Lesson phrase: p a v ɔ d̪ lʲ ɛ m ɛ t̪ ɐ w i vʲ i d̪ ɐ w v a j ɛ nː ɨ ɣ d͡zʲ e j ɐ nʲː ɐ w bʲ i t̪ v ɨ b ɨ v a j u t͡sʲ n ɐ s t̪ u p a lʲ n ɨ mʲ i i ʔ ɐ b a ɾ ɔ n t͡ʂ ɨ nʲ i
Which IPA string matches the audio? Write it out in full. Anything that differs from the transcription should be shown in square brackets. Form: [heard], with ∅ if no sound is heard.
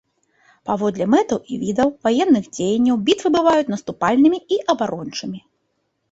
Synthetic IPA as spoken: p a v ɔ d̪ lʲ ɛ m ɛ t̪ ɐ w i vʲ i d̪ ɐ w v a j ɛ nː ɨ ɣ d͡zʲ e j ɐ nʲː ɐ w bʲ i t̪ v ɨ b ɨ v a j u t͡sʲ n ɐ s t̪ u p a lʲ n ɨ mʲ i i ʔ ɐ b a ɾ ɔ n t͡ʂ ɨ [mʲ] i